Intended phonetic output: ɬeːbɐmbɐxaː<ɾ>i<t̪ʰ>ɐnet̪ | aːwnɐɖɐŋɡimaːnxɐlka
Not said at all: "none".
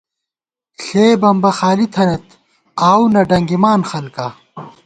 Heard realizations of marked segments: l, t̪ʰ

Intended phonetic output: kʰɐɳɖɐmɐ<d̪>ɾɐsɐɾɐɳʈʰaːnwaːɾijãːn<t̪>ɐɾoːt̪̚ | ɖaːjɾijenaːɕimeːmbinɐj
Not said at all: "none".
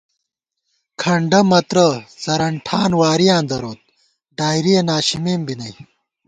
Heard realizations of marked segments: t̪, d̪

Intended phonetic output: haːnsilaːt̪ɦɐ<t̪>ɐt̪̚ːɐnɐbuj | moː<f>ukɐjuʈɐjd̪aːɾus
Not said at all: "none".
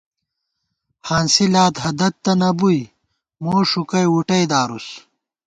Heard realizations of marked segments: d̪, ʂ

